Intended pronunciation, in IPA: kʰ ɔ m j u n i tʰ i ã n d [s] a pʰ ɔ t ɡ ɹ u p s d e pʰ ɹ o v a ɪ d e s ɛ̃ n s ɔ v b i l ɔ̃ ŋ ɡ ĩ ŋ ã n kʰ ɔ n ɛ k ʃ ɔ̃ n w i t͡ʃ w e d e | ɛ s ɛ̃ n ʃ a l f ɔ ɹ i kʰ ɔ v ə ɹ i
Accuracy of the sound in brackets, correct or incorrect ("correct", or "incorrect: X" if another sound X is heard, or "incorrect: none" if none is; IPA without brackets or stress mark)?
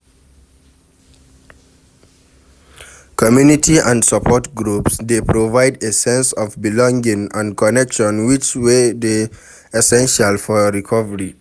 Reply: correct